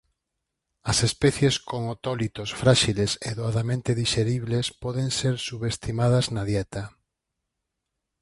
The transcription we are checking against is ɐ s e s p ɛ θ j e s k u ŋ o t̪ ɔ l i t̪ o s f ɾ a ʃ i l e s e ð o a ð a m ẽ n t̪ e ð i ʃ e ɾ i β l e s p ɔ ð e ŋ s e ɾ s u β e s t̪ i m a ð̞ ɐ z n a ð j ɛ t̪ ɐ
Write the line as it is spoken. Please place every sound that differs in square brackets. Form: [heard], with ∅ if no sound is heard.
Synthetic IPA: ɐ s e s p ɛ θ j e s k [o] ŋ o t̪ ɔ l i t̪ o s f ɾ a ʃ i l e s e ð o a ð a m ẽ n t̪ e ð i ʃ e ɾ i β l e s p ɔ ð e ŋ s e ɾ s u β e s t̪ i m a ð̞ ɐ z n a ð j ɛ t̪ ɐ